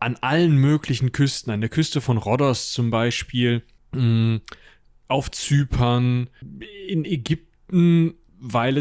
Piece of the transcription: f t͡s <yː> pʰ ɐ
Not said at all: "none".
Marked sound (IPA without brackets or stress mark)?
yː